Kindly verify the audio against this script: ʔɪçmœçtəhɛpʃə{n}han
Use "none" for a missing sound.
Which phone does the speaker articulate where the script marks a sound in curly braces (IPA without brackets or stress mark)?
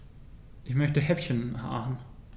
n